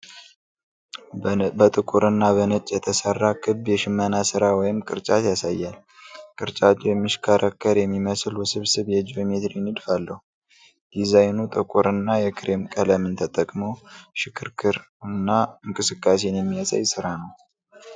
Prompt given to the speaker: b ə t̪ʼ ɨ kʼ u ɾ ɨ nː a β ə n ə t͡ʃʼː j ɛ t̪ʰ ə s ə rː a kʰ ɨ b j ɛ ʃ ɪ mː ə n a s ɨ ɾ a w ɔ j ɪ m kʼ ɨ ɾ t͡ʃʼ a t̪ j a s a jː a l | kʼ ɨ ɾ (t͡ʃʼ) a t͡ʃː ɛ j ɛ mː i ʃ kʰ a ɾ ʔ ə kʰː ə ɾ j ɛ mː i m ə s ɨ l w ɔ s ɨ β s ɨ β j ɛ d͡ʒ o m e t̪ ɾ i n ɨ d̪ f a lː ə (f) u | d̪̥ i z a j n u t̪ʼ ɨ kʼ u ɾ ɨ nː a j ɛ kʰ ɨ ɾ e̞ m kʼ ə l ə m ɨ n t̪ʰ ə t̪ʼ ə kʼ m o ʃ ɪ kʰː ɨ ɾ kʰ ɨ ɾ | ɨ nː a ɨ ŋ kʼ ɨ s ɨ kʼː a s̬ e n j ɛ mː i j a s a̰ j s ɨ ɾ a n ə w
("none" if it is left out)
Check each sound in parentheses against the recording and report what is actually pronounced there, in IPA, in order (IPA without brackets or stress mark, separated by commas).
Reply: t͡ʃʼ, h